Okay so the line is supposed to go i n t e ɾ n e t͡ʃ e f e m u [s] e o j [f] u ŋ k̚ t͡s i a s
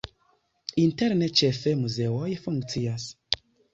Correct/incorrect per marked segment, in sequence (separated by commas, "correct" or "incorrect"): incorrect, correct